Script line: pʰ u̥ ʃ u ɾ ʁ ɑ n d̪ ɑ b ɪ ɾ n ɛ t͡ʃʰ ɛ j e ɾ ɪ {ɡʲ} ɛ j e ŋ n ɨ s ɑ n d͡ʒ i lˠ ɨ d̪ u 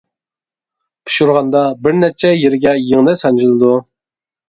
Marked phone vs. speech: correct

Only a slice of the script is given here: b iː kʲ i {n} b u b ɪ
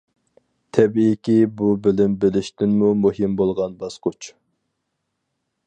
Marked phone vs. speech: incorrect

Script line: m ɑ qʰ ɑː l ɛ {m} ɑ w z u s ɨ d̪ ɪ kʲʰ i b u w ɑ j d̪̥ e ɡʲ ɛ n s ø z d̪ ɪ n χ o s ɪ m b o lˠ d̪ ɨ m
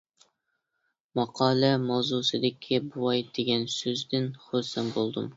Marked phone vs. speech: correct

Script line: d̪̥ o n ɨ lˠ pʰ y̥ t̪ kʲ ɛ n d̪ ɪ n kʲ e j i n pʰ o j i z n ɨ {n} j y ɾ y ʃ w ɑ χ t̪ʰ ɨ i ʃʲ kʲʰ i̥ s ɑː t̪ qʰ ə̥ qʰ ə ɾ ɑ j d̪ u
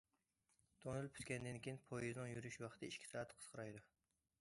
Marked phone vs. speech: incorrect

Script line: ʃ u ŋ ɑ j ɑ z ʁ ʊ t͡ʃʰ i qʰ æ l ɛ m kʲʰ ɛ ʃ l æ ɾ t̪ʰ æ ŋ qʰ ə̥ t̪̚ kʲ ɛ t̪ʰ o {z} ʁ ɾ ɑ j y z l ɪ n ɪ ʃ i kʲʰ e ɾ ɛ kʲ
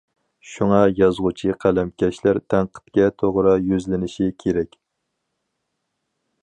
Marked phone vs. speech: incorrect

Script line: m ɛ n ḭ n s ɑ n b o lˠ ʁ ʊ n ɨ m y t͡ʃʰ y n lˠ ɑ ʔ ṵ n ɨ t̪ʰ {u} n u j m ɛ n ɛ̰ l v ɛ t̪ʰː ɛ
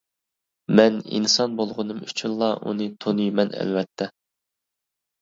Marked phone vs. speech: incorrect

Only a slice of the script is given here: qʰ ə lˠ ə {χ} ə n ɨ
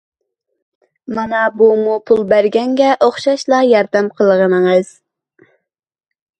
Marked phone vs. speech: incorrect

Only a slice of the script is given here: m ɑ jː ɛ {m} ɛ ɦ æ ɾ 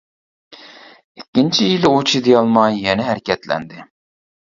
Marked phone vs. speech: incorrect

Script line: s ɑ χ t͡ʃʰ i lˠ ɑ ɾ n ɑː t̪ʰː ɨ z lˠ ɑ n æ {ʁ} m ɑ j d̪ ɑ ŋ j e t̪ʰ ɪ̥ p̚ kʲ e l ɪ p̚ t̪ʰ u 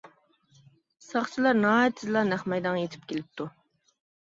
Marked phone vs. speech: incorrect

